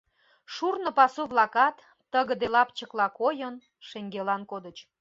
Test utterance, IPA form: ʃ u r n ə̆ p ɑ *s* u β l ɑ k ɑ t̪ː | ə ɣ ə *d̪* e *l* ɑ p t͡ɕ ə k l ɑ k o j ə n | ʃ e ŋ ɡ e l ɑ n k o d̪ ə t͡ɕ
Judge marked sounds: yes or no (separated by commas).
yes, yes, yes